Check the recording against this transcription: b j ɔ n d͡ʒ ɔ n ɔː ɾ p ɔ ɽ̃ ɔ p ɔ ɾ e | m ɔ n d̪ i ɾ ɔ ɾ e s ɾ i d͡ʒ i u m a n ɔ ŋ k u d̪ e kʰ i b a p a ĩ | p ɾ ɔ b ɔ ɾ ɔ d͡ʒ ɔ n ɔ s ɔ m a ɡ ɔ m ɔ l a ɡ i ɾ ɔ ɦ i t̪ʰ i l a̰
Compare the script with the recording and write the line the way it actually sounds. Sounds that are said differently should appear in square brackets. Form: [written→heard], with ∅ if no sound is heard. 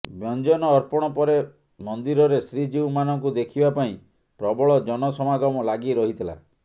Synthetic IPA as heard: b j ɔ n d͡ʒ ɔ n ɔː ɾ p ɔ ɽ̃ ɔ p ɔ ɾ e | m ɔ n d̪ i ɾ ɔ ɾ e s ɾ i d͡ʒ i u m a n ɔ ŋ k u d̪ e kʰ i b a p a ĩ | p ɾ ɔ b ɔ [ɾ→ɭ] ɔ d͡ʒ ɔ n ɔ s ɔ m a ɡ ɔ m ɔ l a ɡ i ɾ ɔ ɦ i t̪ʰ i l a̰